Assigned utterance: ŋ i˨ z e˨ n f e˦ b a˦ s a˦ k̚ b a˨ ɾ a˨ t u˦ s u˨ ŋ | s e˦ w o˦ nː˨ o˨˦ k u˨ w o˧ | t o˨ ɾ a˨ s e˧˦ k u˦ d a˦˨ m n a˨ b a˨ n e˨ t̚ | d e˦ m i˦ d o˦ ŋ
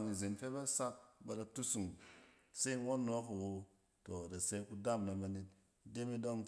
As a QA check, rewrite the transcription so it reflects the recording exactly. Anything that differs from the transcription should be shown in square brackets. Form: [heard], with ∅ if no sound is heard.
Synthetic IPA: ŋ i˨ z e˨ n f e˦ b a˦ s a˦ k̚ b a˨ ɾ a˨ t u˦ s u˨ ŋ | s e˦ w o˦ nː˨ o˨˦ k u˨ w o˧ | t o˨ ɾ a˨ s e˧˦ k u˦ d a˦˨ m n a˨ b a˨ n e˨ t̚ | d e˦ m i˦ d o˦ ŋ